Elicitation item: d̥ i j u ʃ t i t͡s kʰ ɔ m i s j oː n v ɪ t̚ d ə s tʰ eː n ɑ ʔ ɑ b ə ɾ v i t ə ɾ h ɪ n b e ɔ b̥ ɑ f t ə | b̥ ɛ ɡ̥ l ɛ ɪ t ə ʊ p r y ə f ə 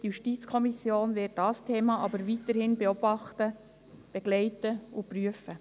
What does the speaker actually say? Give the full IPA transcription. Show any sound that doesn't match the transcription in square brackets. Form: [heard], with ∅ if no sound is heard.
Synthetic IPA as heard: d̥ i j u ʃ t i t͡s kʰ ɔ m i s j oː n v ɪ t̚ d [ɑ] s tʰ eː [m] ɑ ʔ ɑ b ə ɾ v i t ə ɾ h ɪ n b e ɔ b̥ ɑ [χ] t ə | b̥ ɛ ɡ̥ l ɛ ɪ t ə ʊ p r y ə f ə